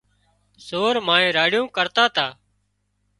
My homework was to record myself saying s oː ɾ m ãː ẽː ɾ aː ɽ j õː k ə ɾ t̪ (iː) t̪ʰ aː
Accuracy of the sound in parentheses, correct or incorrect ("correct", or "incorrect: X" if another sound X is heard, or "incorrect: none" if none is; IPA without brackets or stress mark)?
incorrect: aː